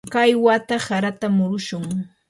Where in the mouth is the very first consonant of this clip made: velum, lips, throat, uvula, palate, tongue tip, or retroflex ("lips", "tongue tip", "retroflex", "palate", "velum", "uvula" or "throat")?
velum